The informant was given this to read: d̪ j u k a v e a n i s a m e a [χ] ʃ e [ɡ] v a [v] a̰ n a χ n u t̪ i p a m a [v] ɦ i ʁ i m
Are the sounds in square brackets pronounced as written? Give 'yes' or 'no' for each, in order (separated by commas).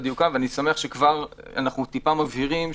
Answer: yes, no, no, yes